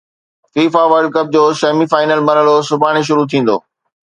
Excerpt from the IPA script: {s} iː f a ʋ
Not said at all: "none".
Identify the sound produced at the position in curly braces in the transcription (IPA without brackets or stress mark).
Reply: f